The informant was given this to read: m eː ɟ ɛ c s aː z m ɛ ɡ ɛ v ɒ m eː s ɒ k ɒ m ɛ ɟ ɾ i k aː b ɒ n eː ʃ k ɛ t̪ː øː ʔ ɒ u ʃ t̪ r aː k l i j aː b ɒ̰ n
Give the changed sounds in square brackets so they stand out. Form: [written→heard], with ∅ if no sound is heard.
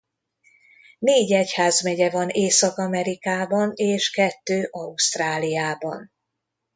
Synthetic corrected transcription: [m→n] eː ɟ ɛ c [s→h] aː z m ɛ [ɡ→ɟ] ɛ v ɒ [m→n] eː s ɒ k ɒ m ɛ [ɟ→∅] ɾ i k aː b ɒ n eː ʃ k ɛ t̪ː øː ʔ ɒ u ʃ t̪ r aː [k→∅] l i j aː b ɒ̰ n